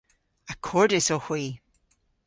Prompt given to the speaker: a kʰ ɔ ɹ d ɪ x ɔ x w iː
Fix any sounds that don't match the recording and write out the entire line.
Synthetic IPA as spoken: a kʰ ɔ ɹ d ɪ s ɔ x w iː